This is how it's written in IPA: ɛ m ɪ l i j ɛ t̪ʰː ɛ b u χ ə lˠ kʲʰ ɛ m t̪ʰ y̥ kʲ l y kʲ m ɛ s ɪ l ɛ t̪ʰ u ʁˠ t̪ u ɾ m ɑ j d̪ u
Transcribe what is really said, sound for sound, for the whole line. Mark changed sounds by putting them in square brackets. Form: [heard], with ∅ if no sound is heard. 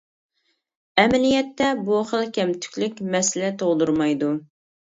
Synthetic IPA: ɛ m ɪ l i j ɛ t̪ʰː ɛ b u χ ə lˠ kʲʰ ɛ m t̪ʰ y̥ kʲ l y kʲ m ɛ s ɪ l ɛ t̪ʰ [o] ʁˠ [d̪] u ɾ m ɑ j d̪ u

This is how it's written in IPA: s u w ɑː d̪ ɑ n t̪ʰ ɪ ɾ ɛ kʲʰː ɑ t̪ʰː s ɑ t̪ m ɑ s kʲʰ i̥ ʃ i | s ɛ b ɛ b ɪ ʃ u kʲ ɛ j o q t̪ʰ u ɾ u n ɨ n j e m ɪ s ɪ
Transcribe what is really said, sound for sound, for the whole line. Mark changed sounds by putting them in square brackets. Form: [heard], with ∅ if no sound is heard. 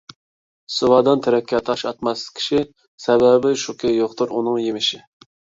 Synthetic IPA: s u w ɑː d̪ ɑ n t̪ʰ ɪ ɾ ɛ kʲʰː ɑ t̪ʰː [ʃ] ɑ t̪ m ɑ s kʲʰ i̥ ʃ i | s ɛ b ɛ b ɪ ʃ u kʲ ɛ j o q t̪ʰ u ɾ u n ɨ [ŋ] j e m ɪ [ʃ] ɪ

